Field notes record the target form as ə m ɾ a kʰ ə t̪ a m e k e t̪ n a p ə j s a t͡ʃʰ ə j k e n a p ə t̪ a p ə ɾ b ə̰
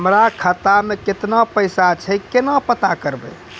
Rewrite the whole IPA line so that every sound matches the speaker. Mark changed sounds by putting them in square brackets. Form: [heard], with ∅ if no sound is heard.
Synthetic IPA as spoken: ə m ɾ a kʰ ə t̪ a m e k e t̪ n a p ə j s a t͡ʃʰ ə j k e n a p ə t̪ a [k] ə ɾ b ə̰